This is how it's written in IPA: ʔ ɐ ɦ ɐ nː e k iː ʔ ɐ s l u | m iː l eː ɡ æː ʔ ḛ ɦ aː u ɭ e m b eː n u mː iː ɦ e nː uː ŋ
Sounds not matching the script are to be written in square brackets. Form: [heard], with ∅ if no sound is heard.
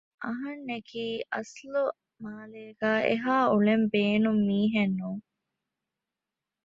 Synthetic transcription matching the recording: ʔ ɐ ɦ ɐ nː e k iː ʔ ɐ s l u | m [aː] l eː ɡ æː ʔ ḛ ɦ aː u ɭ e m b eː n u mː iː ɦ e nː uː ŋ